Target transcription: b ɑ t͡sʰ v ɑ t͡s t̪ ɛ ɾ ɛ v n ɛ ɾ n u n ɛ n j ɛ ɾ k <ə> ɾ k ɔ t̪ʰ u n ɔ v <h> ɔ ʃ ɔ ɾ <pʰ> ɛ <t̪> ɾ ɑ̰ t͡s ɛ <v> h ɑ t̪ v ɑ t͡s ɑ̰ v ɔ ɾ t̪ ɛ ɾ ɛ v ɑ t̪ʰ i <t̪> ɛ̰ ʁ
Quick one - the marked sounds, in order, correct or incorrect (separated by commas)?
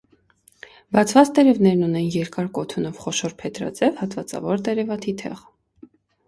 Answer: incorrect, incorrect, correct, correct, correct, incorrect